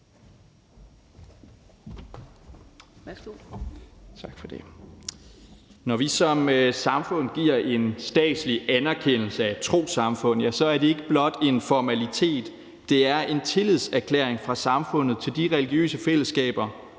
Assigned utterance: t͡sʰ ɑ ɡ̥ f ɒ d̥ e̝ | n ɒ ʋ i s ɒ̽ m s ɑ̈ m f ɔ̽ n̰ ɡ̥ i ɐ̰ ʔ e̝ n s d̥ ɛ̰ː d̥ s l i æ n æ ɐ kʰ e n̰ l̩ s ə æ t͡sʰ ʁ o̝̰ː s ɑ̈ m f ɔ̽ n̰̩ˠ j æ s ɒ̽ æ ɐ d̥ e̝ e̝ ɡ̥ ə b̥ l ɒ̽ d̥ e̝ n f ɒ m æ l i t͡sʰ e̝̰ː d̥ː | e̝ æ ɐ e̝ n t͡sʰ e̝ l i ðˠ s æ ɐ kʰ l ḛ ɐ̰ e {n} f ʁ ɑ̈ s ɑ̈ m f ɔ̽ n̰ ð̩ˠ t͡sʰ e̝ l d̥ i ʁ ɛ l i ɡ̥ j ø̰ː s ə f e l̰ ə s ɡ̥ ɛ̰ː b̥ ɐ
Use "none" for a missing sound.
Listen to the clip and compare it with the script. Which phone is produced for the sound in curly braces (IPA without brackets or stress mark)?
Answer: ŋ